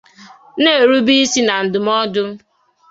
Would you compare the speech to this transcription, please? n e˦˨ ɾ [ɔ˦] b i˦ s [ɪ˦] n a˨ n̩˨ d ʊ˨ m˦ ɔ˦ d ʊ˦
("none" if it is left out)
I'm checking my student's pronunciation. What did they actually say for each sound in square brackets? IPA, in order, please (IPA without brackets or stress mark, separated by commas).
u˦, i˦